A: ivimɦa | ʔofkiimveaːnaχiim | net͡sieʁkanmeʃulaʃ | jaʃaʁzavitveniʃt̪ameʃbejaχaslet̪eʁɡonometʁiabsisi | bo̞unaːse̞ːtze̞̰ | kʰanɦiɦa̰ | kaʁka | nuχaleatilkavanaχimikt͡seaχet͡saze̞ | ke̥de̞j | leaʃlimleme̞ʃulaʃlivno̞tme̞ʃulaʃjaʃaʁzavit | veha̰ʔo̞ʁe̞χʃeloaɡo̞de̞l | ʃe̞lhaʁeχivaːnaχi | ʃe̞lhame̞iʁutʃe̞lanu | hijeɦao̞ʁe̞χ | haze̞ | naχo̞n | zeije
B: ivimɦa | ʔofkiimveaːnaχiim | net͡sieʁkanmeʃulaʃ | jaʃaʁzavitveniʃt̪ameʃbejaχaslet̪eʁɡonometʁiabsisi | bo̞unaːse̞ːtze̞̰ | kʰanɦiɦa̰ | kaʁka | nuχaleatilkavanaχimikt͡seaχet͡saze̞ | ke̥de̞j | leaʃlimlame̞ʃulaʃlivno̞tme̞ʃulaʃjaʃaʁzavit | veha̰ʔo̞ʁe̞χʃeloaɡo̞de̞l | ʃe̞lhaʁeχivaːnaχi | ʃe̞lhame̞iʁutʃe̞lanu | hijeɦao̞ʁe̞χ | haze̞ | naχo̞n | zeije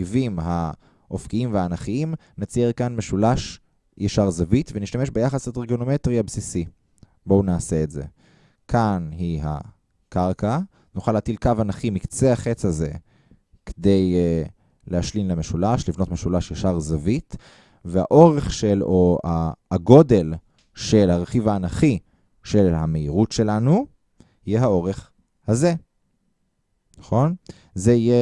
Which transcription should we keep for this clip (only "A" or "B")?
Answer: A